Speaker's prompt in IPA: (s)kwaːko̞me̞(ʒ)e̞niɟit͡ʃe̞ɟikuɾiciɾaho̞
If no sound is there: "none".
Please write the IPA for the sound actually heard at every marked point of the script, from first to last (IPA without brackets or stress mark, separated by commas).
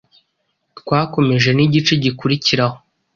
t, ʒ